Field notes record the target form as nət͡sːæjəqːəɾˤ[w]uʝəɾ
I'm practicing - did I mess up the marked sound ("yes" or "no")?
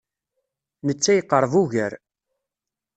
yes